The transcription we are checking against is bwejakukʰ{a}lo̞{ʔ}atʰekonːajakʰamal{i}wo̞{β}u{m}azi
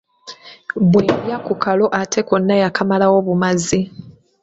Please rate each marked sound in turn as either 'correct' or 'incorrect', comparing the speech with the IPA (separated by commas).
correct, correct, incorrect, correct, correct